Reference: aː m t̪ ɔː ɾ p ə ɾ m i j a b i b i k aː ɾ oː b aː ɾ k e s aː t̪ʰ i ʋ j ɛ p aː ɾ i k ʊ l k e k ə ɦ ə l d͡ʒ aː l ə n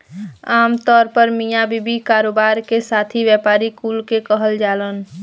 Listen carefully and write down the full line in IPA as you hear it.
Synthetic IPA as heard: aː m t̪ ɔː ɾ p ə ɾ m i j a b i b i k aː ɾ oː b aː ɾ k e s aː t̪ʰ i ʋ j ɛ p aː ɾ i k u l k e k ə ɦ ə l d͡ʒ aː l ə n